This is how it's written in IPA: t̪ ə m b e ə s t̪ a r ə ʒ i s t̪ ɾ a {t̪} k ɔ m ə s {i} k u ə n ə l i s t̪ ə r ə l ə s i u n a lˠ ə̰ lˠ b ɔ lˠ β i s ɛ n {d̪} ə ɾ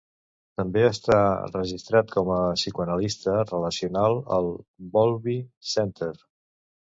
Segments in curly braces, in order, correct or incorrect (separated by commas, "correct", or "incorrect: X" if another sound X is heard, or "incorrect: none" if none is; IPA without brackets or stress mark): correct, correct, incorrect: t̪